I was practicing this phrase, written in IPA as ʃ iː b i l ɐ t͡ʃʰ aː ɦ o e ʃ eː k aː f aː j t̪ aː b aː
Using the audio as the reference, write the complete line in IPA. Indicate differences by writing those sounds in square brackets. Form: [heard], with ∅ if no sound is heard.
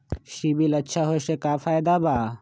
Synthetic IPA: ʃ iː b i l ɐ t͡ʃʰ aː ɦ o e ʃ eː k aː f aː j [d̪] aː b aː

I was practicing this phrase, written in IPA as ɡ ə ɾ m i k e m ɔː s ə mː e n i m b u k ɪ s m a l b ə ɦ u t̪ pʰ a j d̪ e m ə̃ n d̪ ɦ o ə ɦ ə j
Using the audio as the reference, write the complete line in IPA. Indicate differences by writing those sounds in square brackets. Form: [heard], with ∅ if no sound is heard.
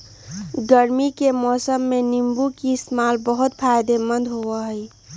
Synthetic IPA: ɡ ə ɾ m i k e m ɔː s ə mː e n i m b u k [i] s m a l b ə ɦ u t̪ pʰ a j d̪ e m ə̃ n d̪ ɦ o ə ɦ ə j

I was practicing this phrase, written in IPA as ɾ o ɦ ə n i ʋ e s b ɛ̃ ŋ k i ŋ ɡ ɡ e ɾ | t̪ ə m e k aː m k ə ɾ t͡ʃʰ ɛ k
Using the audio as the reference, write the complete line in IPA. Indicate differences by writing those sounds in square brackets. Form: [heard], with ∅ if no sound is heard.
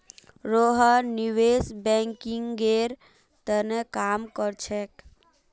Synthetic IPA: ɾ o ɦ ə n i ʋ e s b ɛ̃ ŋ k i ŋ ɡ ɡ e ɾ | t̪ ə [n] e k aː m k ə ɾ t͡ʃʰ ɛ k

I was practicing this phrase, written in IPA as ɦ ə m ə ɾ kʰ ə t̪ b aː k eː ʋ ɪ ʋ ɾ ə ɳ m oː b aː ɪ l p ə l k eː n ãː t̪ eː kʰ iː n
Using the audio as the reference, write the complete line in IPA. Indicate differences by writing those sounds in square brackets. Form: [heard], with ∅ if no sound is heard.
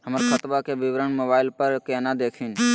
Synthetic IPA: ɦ ə m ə ɾ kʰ ə t̪ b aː k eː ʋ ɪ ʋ ɾ ə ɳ m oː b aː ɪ l p ə [ɾ] k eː n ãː [d̪] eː kʰ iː n

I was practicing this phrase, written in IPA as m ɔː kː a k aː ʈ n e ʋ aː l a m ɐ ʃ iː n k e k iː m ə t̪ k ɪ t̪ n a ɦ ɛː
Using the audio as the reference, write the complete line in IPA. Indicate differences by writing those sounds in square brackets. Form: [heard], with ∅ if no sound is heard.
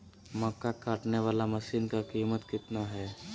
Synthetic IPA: m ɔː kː a k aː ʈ n e ʋ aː l a m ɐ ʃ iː n k [a] k iː m ə t̪ k ɪ t̪ n a ɦ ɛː

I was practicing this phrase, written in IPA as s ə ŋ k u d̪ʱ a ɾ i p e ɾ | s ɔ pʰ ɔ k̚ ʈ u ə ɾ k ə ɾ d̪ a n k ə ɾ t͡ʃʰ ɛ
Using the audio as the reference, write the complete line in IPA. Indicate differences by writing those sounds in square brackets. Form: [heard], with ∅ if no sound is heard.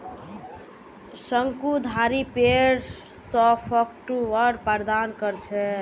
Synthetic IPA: s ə ŋ k u d̪ʱ a ɾ i p e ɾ | s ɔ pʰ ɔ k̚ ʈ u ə ɾ [p] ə ɾ d̪ a n k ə ɾ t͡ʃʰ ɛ

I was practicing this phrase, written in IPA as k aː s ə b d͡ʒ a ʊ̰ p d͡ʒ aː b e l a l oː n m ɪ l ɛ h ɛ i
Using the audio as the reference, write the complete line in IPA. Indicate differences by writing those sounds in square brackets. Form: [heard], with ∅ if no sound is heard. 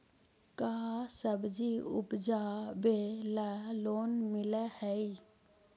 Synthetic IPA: k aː s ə b d͡ʒ [i] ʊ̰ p d͡ʒ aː b e l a l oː n m ɪ l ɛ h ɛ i

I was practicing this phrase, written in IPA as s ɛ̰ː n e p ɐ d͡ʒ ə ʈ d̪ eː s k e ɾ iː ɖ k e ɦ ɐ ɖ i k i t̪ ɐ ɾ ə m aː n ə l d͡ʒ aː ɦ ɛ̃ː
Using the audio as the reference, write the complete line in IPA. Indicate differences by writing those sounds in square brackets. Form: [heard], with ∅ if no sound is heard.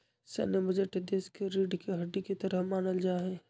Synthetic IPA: s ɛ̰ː n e [b] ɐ d͡ʒ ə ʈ d̪ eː s k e ɾ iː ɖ k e ɦ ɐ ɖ i k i t̪ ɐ ɾ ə m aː n ə l d͡ʒ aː ɦ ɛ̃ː

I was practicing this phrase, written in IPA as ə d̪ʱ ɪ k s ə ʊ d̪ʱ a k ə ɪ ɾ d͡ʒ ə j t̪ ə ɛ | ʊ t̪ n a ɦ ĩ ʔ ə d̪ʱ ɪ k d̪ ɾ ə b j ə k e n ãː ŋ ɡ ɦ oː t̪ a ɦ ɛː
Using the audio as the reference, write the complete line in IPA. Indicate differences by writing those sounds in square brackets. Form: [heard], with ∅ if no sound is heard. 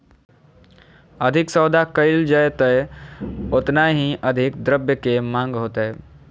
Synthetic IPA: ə d̪ʱ ɪ k s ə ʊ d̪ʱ a k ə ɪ [l] d͡ʒ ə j t̪ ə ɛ | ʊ t̪ n a ɦ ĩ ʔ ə d̪ʱ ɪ k d̪ ɾ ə b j ə k e [m] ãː ŋ ɡ ɦ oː t̪ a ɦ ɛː

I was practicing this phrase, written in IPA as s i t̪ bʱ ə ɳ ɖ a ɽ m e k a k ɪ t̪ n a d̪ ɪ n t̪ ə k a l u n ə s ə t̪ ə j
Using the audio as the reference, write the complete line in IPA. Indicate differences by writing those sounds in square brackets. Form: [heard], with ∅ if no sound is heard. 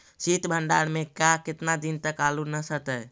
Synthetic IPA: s i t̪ bʱ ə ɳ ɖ a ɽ m e k a k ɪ t̪ n a d̪ [i] n t̪ ə k a l u n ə s ə t̪ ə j

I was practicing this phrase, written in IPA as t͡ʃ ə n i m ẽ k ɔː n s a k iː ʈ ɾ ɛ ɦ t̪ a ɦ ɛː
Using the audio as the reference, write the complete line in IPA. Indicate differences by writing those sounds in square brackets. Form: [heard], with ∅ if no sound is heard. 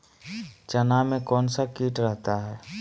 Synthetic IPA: t͡ʃ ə n [a] m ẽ k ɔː n s a k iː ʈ ɾ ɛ ɦ t̪ a ɦ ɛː

